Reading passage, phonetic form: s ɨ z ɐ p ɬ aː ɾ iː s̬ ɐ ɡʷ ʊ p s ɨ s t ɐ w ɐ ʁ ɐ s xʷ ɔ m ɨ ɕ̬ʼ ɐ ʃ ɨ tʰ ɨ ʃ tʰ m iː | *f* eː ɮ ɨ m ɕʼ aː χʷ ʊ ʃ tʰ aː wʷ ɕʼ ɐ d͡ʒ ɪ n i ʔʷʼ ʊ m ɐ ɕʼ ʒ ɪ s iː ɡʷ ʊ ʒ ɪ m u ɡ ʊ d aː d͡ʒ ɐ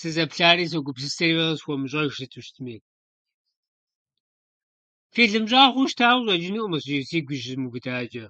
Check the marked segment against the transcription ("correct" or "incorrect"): correct